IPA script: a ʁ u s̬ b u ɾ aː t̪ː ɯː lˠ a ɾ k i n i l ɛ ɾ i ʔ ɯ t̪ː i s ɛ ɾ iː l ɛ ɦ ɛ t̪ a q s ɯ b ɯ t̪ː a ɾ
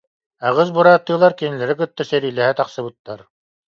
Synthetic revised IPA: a ʁ ɯ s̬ b u ɾ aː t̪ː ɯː lˠ a ɾ k i n i l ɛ ɾ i k ɯ t̪ː a s ɛ ɾ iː l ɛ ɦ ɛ t̪ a q s ɯ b ɯ t̪ː a ɾ